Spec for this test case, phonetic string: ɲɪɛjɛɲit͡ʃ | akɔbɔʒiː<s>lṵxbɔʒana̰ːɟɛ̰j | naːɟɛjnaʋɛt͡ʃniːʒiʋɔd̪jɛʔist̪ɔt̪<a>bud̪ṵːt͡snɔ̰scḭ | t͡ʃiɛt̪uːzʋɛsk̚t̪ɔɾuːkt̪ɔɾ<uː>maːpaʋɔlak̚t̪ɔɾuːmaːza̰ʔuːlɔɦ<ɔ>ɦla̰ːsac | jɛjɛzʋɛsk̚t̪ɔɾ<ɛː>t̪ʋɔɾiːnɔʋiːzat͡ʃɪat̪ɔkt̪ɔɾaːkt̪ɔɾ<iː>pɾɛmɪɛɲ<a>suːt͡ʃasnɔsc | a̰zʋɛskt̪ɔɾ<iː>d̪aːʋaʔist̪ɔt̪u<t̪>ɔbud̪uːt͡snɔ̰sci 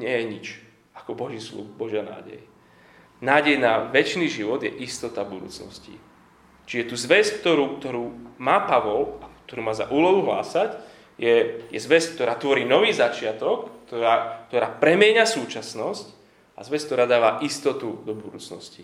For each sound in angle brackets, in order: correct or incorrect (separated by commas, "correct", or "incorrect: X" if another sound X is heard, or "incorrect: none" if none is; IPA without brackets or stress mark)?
correct, correct, correct, incorrect: u, incorrect: aː, incorrect: aː, correct, incorrect: aː, incorrect: d̪